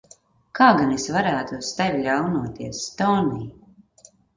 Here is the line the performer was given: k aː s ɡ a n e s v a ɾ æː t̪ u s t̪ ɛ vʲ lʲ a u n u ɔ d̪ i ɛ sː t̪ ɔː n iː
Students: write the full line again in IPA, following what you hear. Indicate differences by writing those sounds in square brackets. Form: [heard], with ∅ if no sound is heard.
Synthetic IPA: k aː [∅] ɡ a n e s v a ɾ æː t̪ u s t̪ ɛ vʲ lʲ a [w] n u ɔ [t̪] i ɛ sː t̪ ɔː n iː